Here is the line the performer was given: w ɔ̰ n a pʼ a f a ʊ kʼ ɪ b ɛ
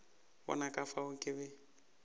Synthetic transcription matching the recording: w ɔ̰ n a kʼ a f a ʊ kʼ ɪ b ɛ